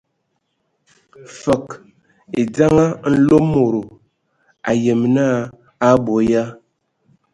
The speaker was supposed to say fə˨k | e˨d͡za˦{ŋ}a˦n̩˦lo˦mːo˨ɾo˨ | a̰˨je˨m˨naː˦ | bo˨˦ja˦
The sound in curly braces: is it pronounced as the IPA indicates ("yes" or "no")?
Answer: yes